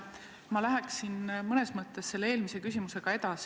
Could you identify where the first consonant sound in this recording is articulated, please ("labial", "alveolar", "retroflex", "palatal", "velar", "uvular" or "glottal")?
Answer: labial